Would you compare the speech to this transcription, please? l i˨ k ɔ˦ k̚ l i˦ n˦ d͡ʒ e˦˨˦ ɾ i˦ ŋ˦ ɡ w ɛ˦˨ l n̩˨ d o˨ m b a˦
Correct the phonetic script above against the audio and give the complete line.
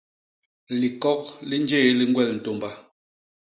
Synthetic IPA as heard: l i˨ k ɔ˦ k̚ l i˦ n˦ d͡ʒ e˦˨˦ l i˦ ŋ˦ ɡ w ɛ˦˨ l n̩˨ t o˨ m b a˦